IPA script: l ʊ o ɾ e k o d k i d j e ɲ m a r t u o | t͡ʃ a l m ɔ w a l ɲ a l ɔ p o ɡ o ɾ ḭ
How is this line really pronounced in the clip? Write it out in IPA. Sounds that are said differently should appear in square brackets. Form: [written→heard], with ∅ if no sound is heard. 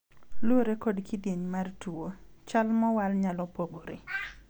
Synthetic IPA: l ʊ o ɾ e k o d k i d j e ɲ m a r t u o | t͡ʃ a l m ɔ w a l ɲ a l ɔ p o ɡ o ɾ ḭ

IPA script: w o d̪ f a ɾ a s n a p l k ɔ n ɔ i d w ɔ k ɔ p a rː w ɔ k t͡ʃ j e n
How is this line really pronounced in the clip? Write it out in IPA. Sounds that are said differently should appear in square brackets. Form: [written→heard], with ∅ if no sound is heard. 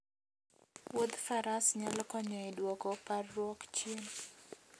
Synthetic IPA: w o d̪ f a ɾ a s [n→ɲ] a [p→∅] l k ɔ [n→ɲ] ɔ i d w ɔ k ɔ p a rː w ɔ k t͡ʃ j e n

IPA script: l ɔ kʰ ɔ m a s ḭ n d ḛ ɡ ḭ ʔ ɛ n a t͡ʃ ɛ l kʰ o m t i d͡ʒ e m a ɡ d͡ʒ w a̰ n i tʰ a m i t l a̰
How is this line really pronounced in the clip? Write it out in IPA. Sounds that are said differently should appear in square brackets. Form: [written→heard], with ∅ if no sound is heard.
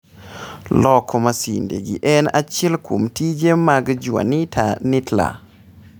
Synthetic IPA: l ɔ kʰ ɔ m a s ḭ n d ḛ ɡ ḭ ʔ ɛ n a t͡ʃ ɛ l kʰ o m t i d͡ʒ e m a ɡ d͡ʒ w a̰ n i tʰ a [m→n] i t l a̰

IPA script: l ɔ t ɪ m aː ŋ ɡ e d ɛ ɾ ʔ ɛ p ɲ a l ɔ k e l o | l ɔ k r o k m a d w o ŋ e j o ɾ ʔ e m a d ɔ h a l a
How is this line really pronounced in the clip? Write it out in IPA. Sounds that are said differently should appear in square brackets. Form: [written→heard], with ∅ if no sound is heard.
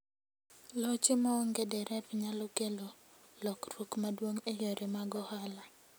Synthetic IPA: l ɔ [t→t͡ʃ] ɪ m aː ŋ ɡ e d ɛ ɾ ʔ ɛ p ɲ a l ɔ k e l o | l ɔ k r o k m a d w o ŋ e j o ɾ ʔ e m a [d→ɡ] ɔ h a l a

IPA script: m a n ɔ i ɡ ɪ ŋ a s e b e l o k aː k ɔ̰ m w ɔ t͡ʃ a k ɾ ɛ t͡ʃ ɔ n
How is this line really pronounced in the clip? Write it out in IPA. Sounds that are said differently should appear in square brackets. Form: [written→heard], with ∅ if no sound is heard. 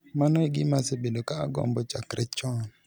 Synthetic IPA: m a n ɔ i ɡ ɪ [ŋ→m] a s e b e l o k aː [k→ɡ] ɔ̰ m [w→b] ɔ t͡ʃ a k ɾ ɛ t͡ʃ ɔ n

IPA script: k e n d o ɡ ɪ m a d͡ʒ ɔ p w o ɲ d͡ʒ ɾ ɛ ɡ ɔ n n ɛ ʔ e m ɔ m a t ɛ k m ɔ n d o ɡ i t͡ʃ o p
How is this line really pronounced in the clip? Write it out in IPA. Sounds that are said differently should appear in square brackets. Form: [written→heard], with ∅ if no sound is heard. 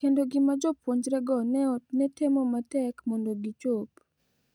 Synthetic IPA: k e n d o ɡ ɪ m a d͡ʒ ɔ p w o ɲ d͡ʒ ɾ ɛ ɡ ɔ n n ɛ [ʔ→t] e m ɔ m a t ɛ k m ɔ n d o ɡ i t͡ʃ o p

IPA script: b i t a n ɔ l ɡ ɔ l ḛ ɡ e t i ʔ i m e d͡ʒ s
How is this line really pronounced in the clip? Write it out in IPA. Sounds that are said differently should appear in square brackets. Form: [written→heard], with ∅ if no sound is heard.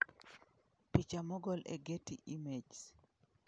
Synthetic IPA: [b→p] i [t→t͡ʃ] a [n→m] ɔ [l→∅] ɡ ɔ l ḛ ɡ e t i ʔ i m e d͡ʒ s

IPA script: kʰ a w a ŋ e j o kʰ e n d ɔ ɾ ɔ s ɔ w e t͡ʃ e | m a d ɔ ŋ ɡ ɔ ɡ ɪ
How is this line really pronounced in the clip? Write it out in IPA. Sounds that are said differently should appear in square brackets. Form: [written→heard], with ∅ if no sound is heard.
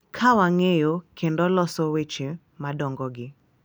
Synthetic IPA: kʰ a w a ŋ e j o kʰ e n d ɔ [ɾ→l] ɔ s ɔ w e t͡ʃ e | m a d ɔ ŋ ɡ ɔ ɡ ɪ

